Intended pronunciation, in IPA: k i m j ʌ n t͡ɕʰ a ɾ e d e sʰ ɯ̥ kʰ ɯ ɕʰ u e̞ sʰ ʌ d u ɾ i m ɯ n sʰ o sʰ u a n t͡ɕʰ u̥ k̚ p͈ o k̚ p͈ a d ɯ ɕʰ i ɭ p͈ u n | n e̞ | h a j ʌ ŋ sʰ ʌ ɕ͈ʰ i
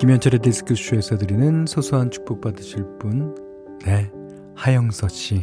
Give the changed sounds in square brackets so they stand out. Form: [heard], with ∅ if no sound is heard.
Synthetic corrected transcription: k i m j ʌ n t͡ɕʰ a ɾ e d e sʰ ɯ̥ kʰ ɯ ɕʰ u e̞ sʰ ʌ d [ɯ] ɾ i [n] ɯ n sʰ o sʰ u a n t͡ɕʰ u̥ k̚ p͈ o k̚ p͈ a d ɯ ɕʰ i ɭ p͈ u n | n e̞ | h a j ʌ ŋ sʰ ʌ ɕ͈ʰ i